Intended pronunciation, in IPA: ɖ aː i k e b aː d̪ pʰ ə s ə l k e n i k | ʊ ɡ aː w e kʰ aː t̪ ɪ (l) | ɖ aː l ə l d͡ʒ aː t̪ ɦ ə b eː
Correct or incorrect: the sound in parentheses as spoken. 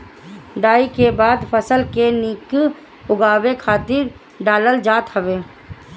incorrect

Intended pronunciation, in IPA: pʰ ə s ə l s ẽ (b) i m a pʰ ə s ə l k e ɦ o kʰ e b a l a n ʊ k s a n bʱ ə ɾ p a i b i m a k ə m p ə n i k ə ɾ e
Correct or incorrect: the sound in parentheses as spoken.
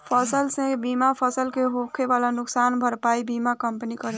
correct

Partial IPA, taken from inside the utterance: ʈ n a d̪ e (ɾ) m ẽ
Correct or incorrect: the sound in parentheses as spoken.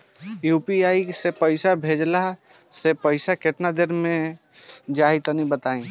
correct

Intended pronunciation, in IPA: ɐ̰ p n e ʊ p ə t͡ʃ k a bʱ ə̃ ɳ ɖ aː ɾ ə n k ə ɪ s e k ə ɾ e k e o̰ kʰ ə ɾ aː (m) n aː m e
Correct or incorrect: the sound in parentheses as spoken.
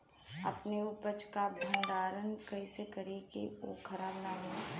incorrect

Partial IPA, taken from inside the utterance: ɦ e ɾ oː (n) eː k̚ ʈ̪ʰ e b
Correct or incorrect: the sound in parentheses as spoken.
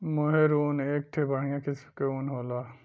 correct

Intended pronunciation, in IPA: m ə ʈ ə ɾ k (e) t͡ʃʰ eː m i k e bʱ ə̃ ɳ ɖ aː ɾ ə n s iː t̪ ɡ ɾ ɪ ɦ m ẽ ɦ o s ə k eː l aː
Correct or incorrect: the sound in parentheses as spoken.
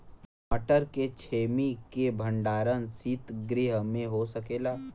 correct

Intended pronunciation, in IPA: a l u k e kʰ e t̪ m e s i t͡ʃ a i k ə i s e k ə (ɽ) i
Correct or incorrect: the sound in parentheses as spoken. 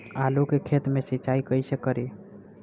incorrect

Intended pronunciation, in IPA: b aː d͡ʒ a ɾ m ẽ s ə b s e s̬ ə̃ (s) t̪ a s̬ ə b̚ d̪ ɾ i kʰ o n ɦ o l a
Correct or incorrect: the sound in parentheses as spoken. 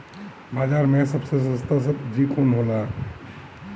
correct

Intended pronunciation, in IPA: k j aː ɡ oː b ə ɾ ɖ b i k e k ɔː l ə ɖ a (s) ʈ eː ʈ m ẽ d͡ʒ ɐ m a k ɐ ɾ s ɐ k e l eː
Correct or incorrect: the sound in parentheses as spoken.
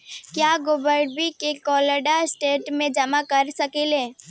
correct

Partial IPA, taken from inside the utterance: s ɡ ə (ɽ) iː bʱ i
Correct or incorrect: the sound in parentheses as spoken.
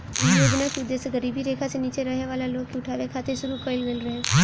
incorrect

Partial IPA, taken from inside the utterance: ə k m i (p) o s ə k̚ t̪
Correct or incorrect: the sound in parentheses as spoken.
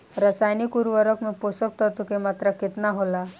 correct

